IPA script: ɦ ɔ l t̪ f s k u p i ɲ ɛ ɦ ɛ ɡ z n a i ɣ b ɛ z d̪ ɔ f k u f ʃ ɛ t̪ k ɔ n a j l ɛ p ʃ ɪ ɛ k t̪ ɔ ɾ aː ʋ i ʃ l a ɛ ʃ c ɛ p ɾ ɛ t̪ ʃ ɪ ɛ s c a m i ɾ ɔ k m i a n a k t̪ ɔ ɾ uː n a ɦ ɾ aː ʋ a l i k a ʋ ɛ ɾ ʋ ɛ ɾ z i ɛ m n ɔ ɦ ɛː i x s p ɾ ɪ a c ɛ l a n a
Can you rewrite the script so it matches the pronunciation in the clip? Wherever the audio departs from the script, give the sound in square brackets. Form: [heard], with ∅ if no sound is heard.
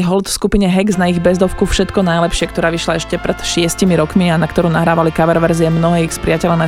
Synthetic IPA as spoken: ɦ ɔ l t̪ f s k u p i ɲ ɛ ɦ ɛ ɡ z n a i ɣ b ɛ z d̪ ɔ f k u f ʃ ɛ t̪ k ɔ n a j l ɛ p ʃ ɪ ɛ k t̪ ɔ ɾ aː ʋ i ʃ l a ɛ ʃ c ɛ p ɾ ɛ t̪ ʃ ɪ ɛ s c [i] m i ɾ ɔ k m i a n a k t̪ ɔ ɾ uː n a ɦ ɾ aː ʋ a l i k a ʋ ɛ ɾ ʋ ɛ ɾ z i ɛ m n ɔ ɦ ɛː i x s p ɾ ɪ a c ɛ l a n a